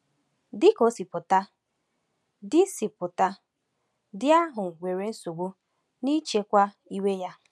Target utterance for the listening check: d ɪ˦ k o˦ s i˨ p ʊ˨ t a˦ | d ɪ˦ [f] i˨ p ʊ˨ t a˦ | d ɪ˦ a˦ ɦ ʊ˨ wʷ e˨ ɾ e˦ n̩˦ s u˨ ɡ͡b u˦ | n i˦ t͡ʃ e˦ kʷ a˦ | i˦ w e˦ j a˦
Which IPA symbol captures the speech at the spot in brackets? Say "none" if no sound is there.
s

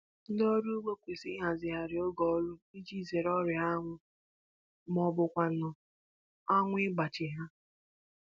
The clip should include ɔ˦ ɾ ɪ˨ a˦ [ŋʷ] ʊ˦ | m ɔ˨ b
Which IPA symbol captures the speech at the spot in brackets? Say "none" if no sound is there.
ŋʷ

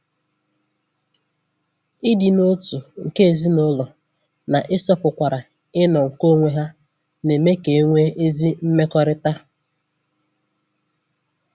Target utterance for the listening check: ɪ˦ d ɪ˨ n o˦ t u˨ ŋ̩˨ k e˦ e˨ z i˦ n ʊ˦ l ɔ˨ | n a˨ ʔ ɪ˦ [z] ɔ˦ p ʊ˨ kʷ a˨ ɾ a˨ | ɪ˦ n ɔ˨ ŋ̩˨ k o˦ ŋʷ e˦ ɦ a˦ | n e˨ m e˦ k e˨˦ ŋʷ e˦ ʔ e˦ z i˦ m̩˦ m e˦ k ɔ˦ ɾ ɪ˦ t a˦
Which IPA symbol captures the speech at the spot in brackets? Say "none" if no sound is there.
s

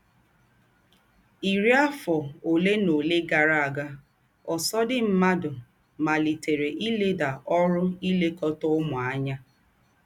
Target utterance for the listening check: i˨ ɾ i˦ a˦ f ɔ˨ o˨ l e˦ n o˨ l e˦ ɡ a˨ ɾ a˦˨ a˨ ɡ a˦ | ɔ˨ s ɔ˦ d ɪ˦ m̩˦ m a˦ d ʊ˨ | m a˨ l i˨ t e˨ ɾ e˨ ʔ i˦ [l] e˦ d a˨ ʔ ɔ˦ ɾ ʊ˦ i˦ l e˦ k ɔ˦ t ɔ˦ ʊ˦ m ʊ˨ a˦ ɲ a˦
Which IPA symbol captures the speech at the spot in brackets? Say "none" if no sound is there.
l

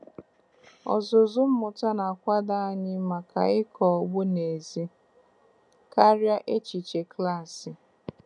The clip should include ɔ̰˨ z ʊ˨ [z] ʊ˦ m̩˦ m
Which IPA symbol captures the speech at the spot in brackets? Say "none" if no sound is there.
z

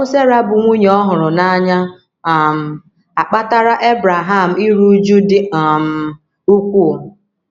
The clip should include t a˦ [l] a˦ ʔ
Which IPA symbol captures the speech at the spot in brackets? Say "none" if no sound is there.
ɾ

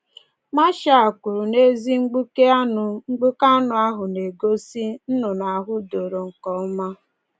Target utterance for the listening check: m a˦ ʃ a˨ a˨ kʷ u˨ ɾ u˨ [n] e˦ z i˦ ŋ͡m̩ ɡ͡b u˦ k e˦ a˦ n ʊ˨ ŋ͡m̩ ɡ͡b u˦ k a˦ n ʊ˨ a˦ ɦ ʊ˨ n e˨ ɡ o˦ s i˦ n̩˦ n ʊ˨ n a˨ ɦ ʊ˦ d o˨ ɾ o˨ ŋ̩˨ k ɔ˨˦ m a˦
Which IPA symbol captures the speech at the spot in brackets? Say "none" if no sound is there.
n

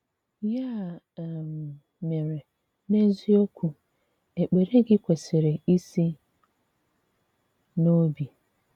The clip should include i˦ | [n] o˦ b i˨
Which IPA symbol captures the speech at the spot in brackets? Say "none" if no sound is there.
n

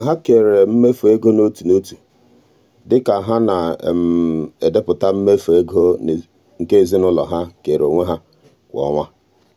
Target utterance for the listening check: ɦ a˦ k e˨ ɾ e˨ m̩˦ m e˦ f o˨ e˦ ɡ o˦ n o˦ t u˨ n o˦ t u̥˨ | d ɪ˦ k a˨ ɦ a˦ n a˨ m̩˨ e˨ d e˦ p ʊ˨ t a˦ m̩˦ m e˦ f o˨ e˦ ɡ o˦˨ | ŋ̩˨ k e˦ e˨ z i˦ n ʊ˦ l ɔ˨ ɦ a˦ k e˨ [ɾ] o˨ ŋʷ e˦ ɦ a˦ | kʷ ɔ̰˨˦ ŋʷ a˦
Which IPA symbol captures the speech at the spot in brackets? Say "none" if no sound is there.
ɾ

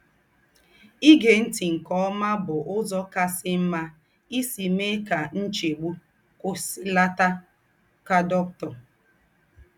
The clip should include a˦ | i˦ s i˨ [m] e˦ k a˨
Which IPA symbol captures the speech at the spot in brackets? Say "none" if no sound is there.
m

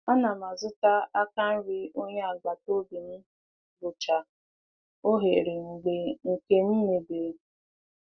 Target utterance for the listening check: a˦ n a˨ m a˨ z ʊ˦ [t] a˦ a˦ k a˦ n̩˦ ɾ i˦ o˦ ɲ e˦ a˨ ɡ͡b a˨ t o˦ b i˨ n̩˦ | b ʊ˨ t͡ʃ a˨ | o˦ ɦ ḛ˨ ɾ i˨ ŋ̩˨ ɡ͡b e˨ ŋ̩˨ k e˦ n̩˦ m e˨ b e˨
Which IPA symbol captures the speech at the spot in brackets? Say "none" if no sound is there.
t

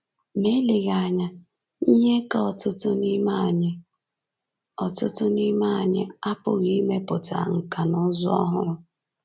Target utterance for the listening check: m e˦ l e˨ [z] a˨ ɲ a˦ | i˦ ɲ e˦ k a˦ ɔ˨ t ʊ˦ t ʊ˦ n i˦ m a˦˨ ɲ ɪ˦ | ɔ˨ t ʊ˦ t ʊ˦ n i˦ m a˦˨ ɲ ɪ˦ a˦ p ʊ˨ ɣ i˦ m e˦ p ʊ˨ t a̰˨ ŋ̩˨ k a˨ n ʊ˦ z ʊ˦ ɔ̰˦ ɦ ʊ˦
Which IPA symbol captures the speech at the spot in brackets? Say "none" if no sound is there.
ɣ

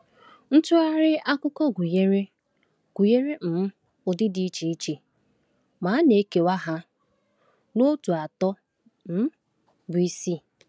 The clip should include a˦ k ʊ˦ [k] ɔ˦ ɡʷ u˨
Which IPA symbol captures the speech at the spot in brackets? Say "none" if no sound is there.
k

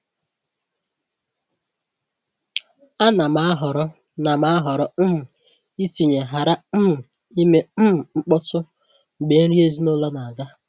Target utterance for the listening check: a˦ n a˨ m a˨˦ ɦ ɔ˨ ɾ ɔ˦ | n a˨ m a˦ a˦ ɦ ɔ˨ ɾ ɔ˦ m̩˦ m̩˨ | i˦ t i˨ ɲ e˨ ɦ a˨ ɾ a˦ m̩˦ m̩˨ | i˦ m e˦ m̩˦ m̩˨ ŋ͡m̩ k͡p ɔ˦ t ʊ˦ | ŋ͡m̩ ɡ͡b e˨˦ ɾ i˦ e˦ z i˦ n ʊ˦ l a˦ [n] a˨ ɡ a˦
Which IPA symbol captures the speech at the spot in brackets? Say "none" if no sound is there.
n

